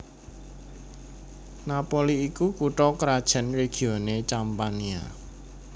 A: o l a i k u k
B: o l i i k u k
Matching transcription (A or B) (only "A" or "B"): B